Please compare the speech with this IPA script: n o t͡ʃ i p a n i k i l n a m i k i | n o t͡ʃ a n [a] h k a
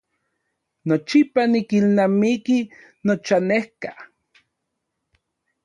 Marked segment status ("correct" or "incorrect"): incorrect